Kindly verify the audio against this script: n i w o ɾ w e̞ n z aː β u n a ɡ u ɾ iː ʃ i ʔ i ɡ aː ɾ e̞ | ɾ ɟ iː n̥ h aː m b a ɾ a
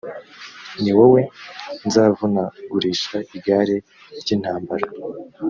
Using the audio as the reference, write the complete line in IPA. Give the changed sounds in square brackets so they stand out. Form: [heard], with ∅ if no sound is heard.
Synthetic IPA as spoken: n i w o [∅] w e̞ n z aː [v] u n a ɡ u ɾ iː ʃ [a] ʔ i ɡ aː ɾ e̞ | ɾ ɟ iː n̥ h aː m b a ɾ a